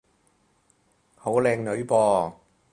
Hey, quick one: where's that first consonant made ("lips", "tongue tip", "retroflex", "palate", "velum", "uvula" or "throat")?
throat